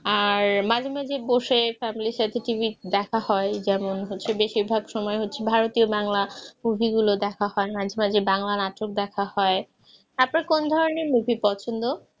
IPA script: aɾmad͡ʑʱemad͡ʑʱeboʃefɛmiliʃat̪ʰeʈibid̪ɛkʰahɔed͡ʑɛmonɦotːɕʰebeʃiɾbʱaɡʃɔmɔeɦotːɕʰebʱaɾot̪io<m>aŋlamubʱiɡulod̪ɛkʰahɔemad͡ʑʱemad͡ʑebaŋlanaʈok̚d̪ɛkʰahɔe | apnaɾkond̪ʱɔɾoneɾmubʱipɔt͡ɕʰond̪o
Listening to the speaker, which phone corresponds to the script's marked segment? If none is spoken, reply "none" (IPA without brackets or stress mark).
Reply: b